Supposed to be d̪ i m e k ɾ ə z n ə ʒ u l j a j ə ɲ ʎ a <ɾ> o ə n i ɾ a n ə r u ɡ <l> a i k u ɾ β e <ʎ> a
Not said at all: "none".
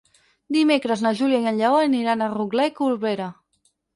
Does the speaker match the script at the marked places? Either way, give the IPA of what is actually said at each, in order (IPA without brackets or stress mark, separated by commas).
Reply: none, l, ɾ